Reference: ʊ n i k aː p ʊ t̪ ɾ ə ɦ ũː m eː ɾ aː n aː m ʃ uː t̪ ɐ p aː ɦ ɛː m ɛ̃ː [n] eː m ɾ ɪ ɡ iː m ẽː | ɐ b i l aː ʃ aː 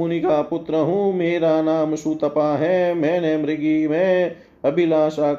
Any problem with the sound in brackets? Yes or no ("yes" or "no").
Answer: no